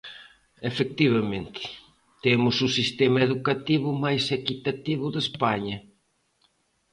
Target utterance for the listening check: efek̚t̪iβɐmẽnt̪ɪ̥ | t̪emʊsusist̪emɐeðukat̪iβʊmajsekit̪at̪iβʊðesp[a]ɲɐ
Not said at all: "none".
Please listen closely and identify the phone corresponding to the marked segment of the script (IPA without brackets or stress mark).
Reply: a